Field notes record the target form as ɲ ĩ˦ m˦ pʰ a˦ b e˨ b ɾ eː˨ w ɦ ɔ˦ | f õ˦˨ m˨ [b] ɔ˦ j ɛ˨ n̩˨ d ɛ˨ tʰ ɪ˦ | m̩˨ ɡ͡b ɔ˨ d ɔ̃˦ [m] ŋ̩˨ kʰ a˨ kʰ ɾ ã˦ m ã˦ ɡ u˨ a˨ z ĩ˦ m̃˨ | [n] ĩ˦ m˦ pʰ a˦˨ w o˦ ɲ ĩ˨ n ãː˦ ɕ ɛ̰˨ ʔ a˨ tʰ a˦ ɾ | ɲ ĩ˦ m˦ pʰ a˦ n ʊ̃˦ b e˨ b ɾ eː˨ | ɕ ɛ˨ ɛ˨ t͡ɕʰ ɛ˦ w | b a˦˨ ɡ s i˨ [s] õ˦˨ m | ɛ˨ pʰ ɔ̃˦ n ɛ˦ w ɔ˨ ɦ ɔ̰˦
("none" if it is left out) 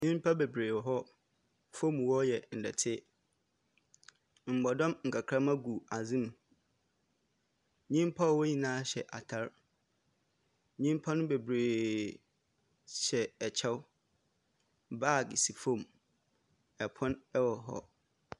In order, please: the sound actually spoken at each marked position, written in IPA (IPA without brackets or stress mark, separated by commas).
w, m, ɲ, f